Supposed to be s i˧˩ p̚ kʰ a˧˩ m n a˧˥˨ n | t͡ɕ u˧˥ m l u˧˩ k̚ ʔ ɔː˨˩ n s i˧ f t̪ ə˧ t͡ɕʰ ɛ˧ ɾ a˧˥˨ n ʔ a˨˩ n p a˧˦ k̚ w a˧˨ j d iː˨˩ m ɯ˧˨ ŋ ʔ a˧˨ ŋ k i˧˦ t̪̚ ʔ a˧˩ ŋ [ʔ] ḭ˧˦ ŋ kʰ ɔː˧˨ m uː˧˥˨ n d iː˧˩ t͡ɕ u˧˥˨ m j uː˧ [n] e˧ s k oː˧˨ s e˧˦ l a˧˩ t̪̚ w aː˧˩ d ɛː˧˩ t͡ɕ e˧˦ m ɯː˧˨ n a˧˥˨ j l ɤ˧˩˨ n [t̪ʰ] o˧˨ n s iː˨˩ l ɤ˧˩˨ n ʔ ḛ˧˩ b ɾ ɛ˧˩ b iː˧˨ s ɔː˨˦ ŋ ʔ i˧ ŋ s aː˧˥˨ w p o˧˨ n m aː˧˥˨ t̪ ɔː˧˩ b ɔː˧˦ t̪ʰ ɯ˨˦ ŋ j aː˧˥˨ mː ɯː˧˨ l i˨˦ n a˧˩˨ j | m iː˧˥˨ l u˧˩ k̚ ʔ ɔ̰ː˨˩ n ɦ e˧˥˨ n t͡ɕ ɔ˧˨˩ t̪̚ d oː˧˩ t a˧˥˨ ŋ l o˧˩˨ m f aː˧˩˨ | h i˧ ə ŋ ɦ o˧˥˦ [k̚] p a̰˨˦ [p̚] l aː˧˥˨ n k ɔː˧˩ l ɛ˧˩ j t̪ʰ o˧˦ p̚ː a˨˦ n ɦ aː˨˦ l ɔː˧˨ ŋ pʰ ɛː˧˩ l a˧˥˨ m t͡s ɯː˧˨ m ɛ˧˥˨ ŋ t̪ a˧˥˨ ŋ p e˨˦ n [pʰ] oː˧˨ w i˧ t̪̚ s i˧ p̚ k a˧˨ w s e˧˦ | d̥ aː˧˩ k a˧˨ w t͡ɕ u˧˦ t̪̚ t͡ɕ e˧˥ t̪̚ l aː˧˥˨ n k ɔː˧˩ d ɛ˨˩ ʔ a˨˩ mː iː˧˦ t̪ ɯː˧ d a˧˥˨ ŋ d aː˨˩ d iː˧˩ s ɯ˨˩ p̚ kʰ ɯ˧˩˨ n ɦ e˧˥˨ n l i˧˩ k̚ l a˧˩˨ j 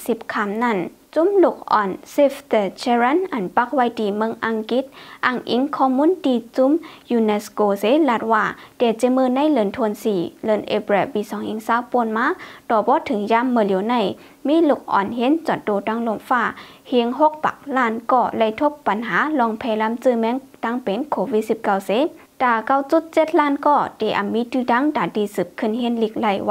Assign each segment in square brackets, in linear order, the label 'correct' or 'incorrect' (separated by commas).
correct, correct, correct, correct, incorrect, incorrect